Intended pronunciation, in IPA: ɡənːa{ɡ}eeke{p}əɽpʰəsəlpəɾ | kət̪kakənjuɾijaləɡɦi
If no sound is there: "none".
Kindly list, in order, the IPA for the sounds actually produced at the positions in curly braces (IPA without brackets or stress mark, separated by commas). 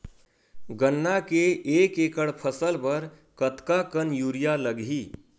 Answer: k, k